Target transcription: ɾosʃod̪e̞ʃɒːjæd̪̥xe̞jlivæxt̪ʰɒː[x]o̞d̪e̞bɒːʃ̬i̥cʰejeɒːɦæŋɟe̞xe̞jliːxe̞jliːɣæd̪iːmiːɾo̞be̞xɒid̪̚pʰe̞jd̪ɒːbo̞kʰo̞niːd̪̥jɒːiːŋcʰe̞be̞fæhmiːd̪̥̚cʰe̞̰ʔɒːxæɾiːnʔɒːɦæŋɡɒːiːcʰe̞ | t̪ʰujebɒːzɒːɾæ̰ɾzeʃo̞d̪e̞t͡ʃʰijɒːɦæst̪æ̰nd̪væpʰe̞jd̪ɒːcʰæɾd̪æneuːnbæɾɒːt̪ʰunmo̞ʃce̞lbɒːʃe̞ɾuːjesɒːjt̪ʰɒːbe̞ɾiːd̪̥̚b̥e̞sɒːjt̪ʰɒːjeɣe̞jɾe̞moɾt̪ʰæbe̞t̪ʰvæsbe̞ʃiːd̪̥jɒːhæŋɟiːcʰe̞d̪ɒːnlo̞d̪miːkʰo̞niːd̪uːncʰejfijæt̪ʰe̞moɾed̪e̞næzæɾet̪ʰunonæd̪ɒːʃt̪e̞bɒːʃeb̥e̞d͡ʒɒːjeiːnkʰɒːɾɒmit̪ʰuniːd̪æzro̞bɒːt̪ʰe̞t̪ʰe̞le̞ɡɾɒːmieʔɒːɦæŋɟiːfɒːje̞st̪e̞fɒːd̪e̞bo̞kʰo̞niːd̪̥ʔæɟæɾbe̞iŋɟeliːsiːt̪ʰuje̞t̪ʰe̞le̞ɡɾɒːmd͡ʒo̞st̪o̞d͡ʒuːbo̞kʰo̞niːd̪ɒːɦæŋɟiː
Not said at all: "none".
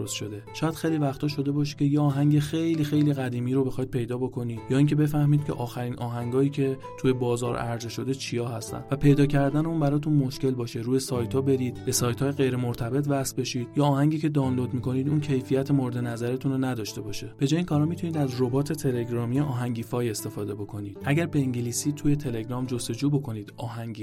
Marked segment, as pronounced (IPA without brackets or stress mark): ʃ